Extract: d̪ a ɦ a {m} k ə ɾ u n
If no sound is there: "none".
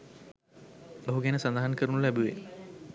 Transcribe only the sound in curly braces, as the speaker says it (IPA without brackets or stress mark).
n